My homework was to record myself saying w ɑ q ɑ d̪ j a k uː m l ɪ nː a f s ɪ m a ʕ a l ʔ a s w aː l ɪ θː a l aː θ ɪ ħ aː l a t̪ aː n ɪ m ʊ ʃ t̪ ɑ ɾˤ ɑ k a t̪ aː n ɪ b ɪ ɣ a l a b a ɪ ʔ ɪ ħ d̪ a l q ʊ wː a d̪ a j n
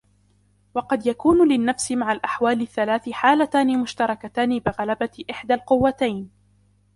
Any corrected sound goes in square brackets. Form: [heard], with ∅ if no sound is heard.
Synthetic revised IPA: w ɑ q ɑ d̪ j a k uː [n] l ɪ nː a f s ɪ m a ʕ a l ʔ a [ħ] w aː l ɪ θː a l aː θ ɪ ħ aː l a t̪ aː n ɪ m ʊ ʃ t̪ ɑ ɾˤ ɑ k a t̪ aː n ɪ b ɪ ɣ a l a b a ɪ ʔ ɪ ħ d̪ a l q ʊ wː a [t̪] a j n